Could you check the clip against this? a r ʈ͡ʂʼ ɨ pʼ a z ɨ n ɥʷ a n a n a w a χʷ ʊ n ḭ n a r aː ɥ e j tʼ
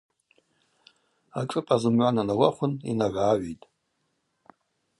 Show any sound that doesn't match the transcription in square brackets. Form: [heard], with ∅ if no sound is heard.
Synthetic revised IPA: a [∅] ʈ͡ʂʼ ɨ pʼ a z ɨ [m] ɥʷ a n a n a w a χʷ ʊ n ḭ n a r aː ɥ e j tʼ